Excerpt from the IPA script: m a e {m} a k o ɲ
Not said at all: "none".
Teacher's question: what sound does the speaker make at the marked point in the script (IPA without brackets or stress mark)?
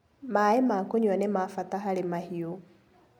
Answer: m